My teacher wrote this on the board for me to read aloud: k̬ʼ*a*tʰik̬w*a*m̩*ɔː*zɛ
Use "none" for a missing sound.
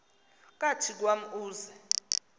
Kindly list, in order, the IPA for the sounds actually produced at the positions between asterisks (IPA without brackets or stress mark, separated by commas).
a, a, uː